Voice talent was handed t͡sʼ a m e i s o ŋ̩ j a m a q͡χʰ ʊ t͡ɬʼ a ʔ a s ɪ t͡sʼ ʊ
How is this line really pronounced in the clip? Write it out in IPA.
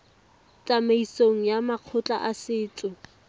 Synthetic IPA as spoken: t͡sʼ a m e i s o ŋ̩ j a m a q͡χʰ ʊ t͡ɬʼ a ʔ a s ɪː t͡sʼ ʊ